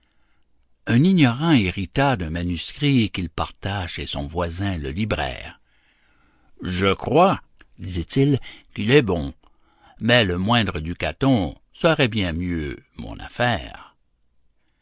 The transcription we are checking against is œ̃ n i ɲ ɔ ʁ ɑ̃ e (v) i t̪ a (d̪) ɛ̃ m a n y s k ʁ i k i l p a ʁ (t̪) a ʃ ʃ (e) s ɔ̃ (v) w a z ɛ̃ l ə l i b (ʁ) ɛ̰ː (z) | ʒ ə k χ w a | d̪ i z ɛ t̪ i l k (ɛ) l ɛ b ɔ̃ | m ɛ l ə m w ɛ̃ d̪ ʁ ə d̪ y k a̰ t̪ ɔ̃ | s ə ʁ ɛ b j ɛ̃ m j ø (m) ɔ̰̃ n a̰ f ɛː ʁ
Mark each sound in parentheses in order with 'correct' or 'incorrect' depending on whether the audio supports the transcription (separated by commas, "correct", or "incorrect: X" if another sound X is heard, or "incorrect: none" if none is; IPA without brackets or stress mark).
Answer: incorrect: ʁ, correct, correct, correct, correct, correct, incorrect: ʁ, incorrect: i, correct